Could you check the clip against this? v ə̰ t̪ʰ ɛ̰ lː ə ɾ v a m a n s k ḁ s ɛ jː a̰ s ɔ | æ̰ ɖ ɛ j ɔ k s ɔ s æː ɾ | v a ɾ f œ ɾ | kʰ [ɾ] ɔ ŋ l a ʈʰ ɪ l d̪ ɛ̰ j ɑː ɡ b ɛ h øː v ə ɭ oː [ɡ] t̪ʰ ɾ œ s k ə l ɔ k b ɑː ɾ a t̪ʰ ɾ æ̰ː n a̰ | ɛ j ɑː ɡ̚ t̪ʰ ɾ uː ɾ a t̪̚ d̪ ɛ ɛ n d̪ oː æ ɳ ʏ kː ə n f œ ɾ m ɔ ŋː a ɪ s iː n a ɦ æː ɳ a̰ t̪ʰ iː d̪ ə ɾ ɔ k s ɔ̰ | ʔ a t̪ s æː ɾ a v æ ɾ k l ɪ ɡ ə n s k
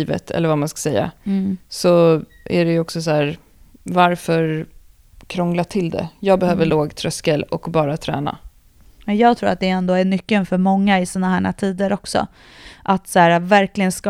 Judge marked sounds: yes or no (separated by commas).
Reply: yes, yes